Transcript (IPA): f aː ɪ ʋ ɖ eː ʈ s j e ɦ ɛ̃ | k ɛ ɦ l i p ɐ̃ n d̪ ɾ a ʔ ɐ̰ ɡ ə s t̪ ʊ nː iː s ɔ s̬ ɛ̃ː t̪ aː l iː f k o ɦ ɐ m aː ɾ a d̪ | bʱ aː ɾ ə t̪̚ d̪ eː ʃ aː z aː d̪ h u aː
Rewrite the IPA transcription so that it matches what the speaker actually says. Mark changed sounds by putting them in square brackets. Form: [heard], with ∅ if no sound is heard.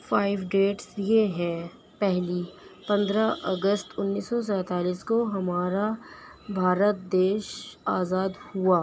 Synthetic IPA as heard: f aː ɪ ʋ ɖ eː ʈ s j e ɦ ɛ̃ | [p] ɛ ɦ l i p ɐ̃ n d̪ ɾ a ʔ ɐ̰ ɡ ə s t̪ ʊ nː iː s ɔ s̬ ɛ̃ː t̪ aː l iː [s] k o ɦ ɐ m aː ɾ a [∅] | bʱ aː ɾ ə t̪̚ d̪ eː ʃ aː z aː d̪ h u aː